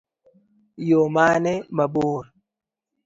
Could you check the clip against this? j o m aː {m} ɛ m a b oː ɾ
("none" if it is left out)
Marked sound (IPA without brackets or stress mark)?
n